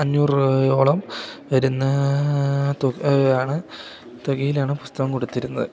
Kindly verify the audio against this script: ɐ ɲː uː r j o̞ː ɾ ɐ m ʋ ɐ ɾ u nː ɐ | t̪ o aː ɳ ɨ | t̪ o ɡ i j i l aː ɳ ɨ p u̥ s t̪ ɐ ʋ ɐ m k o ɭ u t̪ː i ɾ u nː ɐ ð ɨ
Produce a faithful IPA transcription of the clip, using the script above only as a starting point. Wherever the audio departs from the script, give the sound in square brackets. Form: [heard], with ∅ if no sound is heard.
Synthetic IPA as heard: ɐ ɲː uː r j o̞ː [ɭ] ɐ m ʋ ɐ ɾ u nː ɐ | t̪ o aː ɳ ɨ | t̪ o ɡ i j i l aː ɳ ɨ p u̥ s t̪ ɐ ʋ ɐ m k o [ɽ] u t̪ː i ɾ u nː ɐ ð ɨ